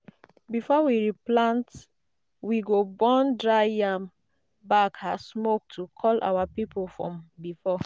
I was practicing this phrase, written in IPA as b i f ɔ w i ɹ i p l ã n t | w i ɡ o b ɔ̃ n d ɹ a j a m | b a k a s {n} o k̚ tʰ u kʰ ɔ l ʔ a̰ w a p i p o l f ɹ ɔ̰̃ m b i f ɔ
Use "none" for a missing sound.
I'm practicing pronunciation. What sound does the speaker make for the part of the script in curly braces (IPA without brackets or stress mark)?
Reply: m